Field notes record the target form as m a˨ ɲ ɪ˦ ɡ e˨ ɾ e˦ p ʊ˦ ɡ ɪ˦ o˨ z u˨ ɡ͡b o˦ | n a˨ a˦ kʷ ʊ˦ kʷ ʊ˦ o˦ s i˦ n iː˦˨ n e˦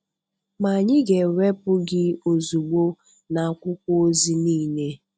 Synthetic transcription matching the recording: m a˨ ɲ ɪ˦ ɡ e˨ ɾ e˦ p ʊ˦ ɡ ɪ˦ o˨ z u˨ ɡ͡b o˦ | n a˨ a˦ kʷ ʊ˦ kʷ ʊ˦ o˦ z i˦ n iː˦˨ n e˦